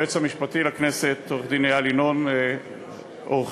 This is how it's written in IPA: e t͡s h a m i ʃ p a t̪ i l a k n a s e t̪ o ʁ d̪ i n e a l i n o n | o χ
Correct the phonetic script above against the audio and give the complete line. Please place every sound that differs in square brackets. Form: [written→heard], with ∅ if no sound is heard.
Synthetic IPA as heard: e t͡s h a m i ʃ p a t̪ i l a k n [a→e] s e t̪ o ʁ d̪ i n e a l i n o n | o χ